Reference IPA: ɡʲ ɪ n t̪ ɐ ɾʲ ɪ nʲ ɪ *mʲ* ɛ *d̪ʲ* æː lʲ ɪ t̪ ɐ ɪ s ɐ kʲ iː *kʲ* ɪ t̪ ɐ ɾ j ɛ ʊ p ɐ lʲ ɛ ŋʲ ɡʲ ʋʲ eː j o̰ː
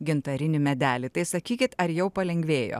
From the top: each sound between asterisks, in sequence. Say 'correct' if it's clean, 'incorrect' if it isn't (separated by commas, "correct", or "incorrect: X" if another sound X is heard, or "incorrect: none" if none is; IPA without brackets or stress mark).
correct, correct, correct